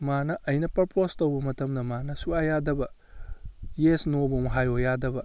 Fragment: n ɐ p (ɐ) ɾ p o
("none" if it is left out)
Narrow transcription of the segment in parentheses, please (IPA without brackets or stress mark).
ɐ